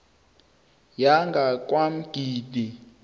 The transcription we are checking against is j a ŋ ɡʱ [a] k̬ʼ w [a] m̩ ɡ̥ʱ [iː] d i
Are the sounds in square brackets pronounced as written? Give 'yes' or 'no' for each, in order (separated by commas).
yes, yes, yes